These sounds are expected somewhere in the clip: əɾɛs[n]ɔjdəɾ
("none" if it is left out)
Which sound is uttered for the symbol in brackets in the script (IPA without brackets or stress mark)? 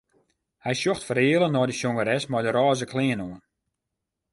m